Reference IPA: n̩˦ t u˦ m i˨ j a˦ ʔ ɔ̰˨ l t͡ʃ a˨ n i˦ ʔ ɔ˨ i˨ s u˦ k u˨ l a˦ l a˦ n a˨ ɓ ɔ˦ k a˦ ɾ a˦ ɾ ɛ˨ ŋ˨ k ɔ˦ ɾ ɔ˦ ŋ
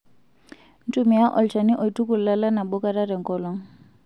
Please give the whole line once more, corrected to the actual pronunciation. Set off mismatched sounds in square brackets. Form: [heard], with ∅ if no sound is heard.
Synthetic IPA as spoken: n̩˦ t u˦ m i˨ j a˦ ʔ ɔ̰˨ l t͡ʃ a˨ n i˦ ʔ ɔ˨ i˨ [t] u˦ k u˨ l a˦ l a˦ n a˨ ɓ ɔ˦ k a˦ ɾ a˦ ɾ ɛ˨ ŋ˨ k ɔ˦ [l] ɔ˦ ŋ